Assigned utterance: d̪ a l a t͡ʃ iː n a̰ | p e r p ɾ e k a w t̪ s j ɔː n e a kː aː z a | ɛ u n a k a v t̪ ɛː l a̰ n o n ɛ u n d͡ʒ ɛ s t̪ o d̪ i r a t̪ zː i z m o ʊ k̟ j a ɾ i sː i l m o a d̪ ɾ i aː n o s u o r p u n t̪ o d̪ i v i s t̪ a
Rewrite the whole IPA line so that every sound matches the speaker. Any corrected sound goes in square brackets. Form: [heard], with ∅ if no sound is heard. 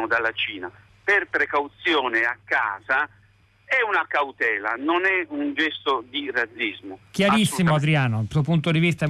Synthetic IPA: d̪ a l a t͡ʃ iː n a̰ | p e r p ɾ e k a w t̪ s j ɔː n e a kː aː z a | ɛ u n a k a [w] t̪ ɛː l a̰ n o n ɛ u n d͡ʒ ɛ s t̪ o d̪ i r a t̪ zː i z m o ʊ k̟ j a ɾ i sː i [∅] m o a d̪ ɾ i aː n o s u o [∅] p u n t̪ o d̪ i v i s t̪ a